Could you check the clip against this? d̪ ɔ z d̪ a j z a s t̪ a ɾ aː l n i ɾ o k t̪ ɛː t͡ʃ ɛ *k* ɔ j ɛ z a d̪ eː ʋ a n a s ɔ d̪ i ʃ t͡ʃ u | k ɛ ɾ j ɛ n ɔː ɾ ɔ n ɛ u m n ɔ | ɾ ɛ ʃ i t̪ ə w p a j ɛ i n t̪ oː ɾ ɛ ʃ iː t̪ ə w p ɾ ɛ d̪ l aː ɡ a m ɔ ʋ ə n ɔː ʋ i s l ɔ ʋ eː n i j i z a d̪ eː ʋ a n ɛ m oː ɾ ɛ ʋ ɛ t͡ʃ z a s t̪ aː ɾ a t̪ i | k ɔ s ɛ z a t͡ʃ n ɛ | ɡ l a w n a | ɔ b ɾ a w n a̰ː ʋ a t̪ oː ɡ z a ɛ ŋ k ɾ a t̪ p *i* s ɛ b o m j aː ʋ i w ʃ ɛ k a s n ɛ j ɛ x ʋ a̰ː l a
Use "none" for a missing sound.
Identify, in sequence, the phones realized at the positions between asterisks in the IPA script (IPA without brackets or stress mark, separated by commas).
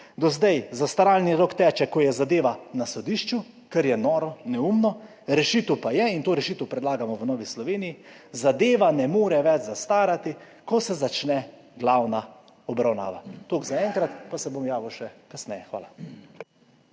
k, a